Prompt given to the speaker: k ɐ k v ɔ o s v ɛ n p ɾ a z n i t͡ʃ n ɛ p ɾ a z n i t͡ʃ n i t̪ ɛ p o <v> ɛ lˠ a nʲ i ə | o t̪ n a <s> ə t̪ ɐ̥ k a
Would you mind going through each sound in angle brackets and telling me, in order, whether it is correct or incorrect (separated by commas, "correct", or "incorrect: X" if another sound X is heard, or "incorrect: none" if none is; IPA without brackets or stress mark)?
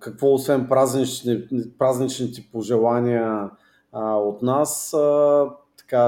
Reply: incorrect: ʒ, correct